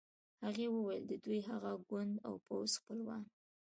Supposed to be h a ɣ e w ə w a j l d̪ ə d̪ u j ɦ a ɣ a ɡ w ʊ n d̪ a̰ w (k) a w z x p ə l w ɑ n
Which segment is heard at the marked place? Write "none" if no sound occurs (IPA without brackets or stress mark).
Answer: p